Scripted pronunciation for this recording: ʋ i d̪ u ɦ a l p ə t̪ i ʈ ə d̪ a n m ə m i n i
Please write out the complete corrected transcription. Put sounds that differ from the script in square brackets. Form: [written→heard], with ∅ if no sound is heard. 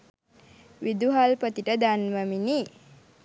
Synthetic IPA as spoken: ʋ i d̪ u ɦ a l p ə t̪ i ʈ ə d̪ a n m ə m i n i